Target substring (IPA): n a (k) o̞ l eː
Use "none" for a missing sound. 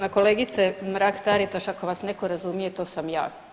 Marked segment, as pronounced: k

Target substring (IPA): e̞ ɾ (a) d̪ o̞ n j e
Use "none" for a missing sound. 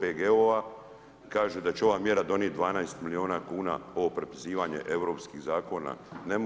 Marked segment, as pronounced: a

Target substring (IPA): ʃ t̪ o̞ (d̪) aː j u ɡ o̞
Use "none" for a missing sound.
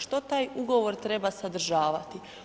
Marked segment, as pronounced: t̪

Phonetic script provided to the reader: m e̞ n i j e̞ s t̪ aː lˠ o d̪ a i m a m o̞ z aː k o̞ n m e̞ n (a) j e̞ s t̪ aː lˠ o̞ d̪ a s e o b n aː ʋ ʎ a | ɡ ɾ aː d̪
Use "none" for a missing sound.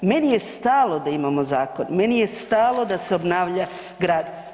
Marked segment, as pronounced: i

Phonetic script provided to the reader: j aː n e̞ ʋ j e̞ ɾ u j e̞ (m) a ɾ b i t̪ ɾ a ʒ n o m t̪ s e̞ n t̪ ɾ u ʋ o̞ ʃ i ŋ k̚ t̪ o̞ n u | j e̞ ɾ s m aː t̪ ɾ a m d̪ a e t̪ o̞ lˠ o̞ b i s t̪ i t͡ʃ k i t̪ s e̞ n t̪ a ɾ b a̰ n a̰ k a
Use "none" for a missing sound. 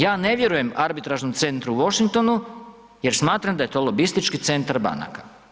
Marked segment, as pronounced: m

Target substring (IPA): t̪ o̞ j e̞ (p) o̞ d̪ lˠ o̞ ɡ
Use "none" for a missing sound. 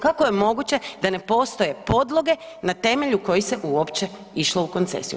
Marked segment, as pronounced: p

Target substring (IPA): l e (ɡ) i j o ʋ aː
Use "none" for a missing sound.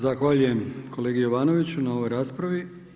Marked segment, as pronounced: ɡ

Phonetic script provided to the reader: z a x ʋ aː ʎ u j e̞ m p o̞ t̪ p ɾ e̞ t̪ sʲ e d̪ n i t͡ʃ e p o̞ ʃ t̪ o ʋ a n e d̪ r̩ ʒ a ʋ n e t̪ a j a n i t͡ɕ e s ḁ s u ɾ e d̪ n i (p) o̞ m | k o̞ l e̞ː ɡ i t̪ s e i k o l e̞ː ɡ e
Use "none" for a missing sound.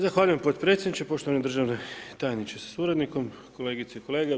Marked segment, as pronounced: k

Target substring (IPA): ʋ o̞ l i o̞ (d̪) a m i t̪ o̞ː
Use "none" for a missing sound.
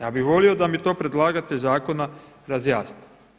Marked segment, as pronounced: d̪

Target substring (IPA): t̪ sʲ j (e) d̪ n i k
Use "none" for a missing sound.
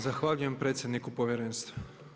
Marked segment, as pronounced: e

